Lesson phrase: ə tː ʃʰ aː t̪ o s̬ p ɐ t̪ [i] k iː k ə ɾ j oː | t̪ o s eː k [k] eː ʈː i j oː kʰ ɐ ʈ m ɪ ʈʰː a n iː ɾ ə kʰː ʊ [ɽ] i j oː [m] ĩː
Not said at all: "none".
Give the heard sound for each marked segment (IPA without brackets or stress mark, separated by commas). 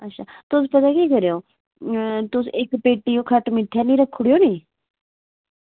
a, p, ɽ, n